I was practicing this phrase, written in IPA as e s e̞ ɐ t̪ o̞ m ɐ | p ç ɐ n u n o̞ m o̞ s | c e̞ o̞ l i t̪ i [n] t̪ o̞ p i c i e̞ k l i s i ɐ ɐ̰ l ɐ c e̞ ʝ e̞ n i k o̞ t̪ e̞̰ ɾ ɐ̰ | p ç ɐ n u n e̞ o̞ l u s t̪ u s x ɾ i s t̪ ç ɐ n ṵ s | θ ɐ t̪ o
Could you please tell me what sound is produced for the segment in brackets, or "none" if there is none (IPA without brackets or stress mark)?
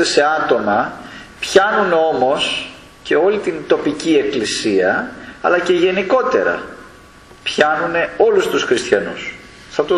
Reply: n